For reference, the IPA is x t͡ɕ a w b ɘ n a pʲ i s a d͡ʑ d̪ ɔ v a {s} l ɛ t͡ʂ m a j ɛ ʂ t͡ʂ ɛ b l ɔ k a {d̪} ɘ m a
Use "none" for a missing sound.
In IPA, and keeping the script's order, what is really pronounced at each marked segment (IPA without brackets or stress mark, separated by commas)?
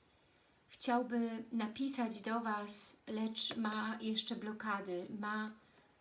s, d̪